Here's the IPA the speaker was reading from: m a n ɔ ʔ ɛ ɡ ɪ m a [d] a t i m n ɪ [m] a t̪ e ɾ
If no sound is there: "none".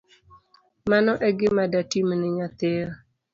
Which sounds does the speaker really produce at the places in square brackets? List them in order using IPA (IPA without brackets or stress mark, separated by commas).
d, ɲ